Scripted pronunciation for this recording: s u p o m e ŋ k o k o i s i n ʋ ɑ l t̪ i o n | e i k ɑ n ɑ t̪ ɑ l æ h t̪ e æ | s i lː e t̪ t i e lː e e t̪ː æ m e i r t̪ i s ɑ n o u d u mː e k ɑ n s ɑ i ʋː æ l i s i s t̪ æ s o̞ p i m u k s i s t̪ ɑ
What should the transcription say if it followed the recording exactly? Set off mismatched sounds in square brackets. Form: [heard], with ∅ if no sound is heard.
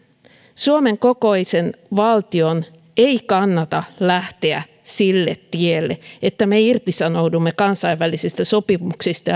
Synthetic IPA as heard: s u [∅] o m e ŋ k o k o i s [e] n ʋ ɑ l t̪ i o n | e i k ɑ [nː] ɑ t̪ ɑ l æ h t̪ e æ | s i lː e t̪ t i e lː e e t̪ː æ m e i r t̪ i s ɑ n o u d u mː e k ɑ n s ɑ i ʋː æ l i s i s t̪ æ s o̞ p i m u k s i s t̪ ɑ